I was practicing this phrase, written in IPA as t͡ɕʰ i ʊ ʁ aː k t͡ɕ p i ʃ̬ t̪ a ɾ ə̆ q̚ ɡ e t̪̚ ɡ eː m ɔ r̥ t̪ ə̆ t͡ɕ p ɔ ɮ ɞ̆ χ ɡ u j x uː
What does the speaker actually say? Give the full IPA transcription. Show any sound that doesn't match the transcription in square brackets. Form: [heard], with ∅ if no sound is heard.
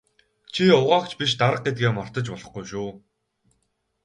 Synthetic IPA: t͡ɕʰ i ʊ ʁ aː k t͡ɕ p i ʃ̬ t̪ a ɾ ə̆ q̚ ɡ e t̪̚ ɡ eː m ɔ r̥ t̪ ə̆ t͡ɕ p ɔ ɮ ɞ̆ χ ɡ u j [ʃ] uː